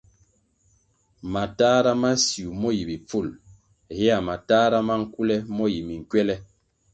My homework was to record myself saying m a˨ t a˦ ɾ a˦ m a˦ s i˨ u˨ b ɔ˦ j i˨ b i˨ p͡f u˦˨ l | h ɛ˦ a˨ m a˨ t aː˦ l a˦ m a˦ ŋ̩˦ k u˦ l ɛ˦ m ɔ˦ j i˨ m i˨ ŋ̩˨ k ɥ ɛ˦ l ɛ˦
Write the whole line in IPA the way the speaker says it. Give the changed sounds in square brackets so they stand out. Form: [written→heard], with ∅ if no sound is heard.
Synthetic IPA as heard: m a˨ t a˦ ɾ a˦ m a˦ s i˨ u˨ [b→m] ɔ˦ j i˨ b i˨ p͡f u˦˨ l | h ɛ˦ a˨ m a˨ t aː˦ [l→ɾ] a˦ m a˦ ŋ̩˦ k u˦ l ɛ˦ m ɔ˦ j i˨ m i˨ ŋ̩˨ k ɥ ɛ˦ l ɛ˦